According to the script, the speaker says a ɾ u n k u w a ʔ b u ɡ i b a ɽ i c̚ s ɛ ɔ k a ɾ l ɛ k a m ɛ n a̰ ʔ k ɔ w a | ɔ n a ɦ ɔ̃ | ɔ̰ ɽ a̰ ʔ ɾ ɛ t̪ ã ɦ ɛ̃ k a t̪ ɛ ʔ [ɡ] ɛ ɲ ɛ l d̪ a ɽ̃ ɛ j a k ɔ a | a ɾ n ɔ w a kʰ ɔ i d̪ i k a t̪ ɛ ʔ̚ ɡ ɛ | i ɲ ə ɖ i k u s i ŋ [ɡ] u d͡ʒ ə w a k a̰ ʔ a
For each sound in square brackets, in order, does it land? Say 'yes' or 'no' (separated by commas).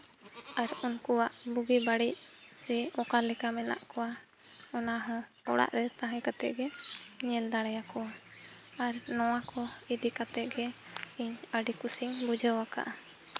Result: yes, no